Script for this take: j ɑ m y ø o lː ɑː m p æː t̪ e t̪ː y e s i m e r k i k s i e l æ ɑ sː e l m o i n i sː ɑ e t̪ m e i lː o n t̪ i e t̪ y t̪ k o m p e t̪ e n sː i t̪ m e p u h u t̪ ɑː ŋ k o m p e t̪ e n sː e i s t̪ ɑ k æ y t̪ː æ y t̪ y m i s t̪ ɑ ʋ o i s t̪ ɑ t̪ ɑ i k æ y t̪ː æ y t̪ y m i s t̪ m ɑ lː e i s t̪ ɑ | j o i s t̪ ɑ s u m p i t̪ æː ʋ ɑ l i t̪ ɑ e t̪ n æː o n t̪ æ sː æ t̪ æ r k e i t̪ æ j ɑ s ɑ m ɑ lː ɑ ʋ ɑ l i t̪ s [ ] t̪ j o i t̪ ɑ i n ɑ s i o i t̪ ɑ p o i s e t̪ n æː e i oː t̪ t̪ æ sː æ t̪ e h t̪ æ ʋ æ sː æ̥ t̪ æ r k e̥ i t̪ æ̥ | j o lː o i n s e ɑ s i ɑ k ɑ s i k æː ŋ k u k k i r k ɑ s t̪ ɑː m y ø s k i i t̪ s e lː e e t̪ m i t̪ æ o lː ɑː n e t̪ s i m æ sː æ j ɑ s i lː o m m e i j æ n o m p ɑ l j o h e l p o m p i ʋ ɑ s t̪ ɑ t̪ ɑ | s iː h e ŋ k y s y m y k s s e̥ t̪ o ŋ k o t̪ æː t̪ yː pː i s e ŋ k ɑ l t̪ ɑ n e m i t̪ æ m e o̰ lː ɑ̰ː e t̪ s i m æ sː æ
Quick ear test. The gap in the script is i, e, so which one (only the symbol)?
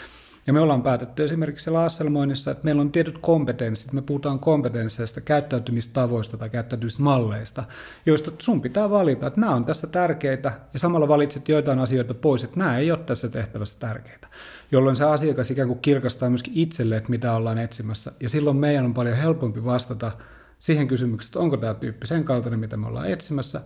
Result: e